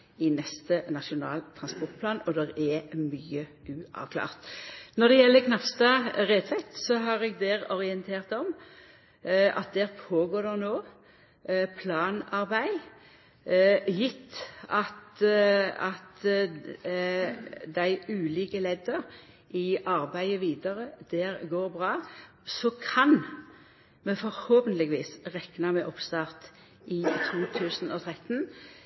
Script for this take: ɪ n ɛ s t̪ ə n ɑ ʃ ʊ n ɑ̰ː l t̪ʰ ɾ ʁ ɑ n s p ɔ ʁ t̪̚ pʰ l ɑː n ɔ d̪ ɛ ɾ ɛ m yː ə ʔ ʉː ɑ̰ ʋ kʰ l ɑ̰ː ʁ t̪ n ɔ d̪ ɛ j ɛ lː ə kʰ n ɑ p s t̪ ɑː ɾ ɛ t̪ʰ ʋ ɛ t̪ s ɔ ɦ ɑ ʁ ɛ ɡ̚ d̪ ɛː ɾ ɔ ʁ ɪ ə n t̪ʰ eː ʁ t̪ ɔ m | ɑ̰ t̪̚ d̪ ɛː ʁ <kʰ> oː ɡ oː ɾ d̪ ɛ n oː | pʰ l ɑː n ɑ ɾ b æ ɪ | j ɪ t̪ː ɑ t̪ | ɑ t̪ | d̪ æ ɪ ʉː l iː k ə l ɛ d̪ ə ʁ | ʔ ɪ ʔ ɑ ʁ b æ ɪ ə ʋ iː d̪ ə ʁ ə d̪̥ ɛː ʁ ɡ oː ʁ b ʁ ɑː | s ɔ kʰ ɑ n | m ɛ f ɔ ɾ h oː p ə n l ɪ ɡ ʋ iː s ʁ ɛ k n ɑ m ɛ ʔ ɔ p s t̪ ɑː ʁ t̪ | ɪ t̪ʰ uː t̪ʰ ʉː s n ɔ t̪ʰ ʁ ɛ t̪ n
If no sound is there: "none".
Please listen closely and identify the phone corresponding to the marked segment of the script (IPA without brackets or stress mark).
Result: pʰ